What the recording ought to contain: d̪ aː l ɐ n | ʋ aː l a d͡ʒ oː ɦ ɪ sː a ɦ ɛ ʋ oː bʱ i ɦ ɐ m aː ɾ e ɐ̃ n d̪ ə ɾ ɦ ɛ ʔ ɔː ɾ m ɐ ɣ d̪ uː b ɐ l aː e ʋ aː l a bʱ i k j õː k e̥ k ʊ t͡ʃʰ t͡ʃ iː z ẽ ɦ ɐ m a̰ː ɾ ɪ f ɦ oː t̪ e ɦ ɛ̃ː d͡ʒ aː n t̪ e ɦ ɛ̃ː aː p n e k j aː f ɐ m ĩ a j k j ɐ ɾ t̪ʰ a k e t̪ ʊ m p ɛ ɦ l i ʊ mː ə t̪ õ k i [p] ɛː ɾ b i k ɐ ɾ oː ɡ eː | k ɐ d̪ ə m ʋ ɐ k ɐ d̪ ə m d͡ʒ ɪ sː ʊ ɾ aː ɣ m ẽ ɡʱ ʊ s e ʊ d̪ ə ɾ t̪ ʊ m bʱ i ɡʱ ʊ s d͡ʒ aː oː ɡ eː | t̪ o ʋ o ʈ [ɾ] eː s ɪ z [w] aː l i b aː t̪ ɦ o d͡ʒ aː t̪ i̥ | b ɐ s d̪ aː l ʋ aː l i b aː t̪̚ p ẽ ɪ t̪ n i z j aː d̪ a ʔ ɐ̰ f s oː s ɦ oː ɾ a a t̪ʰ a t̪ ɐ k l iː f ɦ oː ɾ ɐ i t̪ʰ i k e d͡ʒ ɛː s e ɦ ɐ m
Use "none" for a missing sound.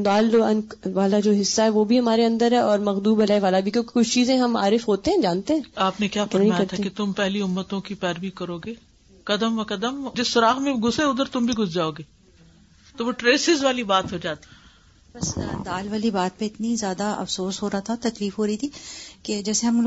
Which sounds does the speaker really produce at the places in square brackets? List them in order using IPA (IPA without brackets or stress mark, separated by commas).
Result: p, ɾ, ʋ